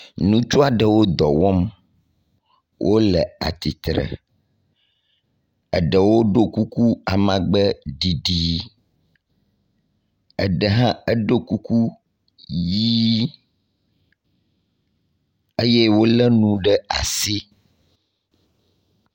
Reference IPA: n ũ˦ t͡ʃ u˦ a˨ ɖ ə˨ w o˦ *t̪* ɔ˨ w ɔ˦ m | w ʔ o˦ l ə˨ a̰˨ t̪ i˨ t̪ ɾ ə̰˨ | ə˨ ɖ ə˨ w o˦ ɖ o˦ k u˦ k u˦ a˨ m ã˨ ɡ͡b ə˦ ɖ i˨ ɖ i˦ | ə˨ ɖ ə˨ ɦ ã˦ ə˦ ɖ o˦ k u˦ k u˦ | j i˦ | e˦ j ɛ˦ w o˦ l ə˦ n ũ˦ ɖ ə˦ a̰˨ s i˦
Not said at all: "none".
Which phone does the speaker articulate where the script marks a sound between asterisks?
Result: d̪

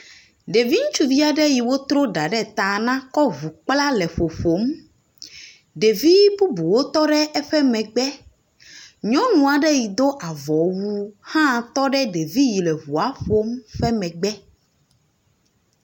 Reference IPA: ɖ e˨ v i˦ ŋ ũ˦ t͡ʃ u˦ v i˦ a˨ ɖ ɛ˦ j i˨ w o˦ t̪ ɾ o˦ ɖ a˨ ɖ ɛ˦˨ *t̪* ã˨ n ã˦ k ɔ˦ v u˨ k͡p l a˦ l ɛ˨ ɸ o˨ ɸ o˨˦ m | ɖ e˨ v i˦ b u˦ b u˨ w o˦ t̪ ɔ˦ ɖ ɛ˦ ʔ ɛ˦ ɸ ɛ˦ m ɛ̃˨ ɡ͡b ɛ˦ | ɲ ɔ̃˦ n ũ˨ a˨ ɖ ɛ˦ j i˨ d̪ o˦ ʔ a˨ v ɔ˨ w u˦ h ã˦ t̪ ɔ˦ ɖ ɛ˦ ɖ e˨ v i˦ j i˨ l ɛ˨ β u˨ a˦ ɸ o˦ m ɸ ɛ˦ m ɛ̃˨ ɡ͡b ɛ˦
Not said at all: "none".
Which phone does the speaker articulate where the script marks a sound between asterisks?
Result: t̪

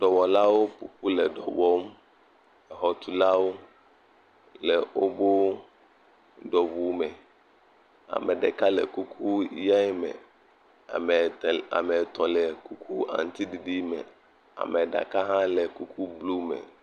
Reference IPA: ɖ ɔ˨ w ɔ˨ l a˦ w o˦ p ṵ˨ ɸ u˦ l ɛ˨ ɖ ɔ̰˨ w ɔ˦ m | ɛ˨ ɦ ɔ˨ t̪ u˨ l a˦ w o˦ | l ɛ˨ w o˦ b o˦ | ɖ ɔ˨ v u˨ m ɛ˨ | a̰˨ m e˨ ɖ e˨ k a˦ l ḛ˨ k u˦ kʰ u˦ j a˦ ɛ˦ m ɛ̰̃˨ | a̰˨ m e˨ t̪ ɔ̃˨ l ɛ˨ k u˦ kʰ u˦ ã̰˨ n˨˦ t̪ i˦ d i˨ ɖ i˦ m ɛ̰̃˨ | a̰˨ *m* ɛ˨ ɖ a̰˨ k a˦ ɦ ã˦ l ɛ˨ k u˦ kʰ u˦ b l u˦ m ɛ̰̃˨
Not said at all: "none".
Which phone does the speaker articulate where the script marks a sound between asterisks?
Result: m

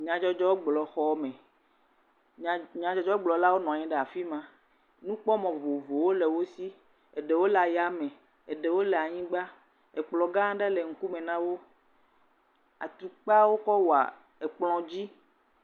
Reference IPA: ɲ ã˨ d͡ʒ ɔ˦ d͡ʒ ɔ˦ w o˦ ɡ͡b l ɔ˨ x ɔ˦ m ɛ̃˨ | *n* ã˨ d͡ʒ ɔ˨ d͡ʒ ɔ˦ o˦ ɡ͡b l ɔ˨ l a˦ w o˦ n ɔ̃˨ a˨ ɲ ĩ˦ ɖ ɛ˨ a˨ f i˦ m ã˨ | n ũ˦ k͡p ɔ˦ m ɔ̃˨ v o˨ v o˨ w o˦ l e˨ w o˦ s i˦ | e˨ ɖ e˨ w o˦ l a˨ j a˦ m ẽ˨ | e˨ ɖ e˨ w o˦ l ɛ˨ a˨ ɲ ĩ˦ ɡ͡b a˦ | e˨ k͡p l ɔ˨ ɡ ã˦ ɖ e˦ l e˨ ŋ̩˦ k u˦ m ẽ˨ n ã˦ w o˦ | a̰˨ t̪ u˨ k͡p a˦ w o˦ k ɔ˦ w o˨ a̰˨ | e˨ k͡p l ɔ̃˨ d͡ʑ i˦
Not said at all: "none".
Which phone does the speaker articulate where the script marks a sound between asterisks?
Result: ɲ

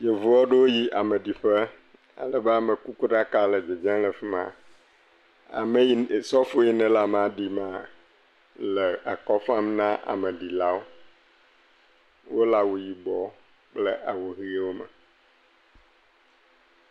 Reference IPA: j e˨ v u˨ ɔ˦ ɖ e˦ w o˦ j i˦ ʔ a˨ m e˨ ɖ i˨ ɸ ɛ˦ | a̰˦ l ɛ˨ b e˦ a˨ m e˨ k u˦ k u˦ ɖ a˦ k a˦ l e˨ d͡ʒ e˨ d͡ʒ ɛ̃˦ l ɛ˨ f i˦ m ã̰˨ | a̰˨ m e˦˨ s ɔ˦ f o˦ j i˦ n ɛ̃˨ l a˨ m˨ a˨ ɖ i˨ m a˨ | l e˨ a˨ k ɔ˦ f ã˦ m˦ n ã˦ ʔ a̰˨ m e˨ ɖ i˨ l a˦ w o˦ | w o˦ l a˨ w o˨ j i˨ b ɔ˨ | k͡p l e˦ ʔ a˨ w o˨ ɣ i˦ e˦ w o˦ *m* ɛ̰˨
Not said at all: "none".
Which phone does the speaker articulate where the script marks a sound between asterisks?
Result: m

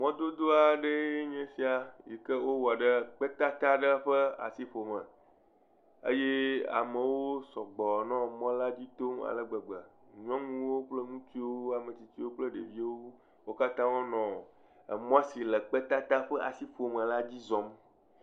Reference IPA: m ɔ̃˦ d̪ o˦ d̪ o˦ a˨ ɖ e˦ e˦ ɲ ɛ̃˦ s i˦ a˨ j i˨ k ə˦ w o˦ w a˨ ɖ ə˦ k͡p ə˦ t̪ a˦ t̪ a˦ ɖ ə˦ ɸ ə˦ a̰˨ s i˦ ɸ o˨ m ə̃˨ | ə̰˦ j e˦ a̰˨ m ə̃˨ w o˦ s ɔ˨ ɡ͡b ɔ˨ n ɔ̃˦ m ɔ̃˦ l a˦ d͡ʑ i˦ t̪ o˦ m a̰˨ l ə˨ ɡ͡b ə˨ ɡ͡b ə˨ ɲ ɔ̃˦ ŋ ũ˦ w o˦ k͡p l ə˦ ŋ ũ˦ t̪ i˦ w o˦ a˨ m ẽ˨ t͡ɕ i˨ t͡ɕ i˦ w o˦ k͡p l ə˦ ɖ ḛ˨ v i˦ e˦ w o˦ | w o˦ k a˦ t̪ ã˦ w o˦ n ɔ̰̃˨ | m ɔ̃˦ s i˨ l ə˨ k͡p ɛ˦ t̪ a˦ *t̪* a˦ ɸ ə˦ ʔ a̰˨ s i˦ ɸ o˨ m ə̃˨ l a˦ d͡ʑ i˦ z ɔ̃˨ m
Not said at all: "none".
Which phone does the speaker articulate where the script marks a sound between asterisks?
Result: t̪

